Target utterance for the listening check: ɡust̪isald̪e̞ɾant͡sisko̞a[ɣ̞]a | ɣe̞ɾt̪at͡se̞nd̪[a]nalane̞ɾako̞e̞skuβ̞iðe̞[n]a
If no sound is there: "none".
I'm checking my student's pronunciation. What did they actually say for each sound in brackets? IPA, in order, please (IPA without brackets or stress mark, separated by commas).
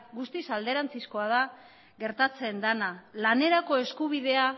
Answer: ð̞, a, none